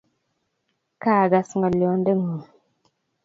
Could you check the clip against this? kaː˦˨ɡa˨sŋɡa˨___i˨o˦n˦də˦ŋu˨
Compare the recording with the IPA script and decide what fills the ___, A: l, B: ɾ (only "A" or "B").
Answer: A